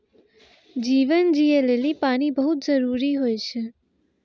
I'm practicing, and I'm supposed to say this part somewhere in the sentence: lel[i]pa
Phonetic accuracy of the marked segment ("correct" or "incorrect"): correct